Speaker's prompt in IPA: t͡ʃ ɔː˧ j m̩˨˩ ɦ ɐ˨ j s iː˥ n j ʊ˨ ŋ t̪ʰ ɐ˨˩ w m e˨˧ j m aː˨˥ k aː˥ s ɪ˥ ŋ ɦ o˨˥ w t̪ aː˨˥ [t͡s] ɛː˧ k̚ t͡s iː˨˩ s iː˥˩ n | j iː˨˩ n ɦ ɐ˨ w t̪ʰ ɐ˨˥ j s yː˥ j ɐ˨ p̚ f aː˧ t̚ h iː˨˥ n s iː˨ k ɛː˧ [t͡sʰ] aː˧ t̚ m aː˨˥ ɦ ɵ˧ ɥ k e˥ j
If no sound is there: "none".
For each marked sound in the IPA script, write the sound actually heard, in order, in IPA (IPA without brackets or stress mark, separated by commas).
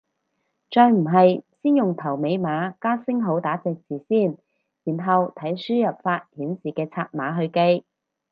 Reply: t͡s, t͡sʰ